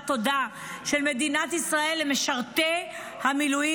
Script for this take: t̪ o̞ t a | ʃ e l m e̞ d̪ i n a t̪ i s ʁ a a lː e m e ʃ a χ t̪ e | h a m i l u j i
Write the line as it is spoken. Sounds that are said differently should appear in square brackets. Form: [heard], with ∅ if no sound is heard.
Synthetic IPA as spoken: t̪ o̞ [d] a | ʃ e l m e̞ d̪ i n a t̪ i s ʁ a [e] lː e m e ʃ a [ʁ] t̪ e | h a m i l u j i